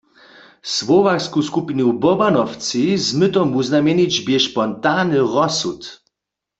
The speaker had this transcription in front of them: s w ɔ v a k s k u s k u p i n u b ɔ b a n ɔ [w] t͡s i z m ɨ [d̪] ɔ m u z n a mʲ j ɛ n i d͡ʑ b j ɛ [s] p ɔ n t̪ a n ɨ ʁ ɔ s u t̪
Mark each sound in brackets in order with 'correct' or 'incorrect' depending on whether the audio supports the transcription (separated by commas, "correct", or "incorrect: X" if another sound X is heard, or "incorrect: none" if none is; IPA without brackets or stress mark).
correct, incorrect: t̪, incorrect: ʃ